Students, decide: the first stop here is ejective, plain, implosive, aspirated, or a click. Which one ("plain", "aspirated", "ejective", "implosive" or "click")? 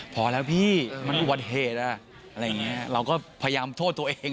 aspirated